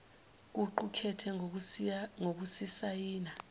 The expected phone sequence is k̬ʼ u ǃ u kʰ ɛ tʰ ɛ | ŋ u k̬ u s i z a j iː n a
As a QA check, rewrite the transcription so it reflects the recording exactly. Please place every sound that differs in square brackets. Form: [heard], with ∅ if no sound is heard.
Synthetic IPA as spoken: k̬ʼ u ǃ u kʰ ɛ tʰ ɛ | ŋ [o] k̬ u s i [s] a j iː n a